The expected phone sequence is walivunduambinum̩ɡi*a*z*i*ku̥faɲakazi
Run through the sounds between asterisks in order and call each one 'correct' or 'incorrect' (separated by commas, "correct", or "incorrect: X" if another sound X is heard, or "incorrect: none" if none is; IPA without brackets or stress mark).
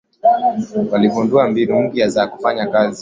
correct, incorrect: a